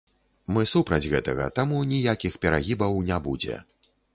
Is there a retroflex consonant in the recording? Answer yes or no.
no